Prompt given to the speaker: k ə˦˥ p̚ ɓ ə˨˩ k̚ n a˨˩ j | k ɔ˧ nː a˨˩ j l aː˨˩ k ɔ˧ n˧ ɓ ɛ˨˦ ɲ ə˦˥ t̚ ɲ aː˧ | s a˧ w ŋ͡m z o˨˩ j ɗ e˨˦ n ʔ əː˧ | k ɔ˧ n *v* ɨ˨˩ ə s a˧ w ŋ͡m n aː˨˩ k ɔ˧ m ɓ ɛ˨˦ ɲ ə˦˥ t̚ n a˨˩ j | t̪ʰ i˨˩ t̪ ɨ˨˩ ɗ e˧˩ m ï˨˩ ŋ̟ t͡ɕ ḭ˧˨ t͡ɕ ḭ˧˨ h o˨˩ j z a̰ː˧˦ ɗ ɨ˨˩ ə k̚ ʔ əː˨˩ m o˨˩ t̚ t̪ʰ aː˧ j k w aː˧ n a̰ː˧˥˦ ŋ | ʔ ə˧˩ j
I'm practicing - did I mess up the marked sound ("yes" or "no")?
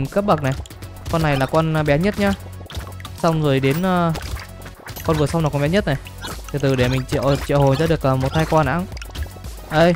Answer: no